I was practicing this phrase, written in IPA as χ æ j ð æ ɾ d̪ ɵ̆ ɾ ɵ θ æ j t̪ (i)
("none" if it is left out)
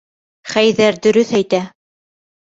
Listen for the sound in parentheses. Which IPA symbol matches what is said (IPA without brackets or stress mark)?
æ